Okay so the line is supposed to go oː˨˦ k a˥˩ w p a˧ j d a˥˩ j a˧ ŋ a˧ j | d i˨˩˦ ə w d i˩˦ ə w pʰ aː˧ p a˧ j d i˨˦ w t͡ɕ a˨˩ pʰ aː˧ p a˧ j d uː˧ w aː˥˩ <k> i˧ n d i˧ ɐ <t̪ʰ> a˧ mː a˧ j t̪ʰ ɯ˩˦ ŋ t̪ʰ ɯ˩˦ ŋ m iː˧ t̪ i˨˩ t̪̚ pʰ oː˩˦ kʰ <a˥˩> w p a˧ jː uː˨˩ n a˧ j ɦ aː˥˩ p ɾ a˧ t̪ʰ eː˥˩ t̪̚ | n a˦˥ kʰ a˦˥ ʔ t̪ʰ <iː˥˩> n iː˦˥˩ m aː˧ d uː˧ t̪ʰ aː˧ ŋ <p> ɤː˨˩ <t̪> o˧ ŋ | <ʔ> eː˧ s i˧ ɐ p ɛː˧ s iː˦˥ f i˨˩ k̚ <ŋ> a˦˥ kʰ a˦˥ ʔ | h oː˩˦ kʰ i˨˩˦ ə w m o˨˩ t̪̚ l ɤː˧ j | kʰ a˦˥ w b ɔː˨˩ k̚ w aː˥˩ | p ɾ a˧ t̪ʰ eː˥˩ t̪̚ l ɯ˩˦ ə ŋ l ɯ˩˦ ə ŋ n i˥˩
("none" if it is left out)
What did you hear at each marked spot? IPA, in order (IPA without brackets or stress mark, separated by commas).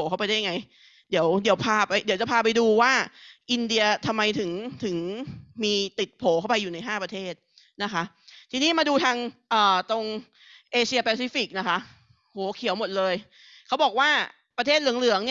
ʔ, t̪ʰ, a˥˩, iː˧, ʔ, t̪, ʔ, n